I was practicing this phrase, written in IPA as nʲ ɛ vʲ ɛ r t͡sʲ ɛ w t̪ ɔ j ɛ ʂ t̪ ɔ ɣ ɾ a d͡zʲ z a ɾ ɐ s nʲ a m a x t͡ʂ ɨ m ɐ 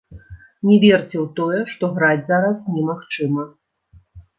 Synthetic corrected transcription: nʲ ɛ vʲ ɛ r t͡sʲ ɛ w t̪ ɔ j ɛ ʂ t̪ ɔ ɣ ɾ a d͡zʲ z a ɾ ɐ s nʲ ɛ m a x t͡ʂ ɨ m ɐ